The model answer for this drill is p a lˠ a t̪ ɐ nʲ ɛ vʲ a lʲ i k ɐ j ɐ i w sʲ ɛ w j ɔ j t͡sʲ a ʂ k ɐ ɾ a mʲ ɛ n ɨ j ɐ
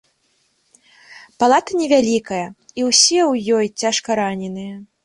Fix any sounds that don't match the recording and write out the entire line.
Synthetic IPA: p a lˠ a t̪ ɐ nʲ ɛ vʲ a lʲ i k ɐ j ɐ i w sʲ ɛ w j ɔ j t͡sʲ a ʂ k ɐ ɾ a nʲ ɛ n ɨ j ɐ